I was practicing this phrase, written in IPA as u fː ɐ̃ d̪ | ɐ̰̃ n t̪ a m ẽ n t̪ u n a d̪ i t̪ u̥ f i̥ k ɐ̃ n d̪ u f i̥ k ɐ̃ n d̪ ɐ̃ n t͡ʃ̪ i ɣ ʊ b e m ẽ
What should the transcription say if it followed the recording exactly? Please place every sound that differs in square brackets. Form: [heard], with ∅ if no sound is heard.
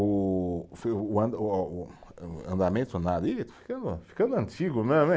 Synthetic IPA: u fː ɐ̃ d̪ | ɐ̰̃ n [d̪] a m ẽ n t̪ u n a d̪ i t̪ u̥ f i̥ k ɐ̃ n d̪ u f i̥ k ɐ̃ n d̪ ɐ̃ n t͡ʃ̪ i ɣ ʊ [m] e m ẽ